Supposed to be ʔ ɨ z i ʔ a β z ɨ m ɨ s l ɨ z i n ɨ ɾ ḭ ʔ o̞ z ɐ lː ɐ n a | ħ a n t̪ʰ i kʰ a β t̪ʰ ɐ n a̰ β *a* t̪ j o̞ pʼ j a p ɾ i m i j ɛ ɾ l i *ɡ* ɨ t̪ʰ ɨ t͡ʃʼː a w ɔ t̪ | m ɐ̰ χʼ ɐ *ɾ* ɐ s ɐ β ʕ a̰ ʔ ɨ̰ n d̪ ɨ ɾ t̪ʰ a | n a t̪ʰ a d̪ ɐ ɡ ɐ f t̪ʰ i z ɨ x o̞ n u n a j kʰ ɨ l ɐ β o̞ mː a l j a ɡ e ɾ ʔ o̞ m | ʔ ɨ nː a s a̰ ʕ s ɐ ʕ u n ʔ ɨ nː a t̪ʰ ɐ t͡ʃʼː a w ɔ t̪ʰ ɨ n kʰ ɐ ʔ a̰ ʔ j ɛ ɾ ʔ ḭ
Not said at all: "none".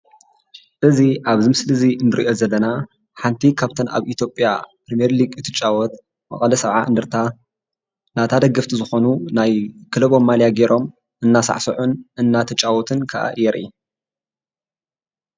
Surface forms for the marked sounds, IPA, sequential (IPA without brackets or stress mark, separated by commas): i, ɡ, l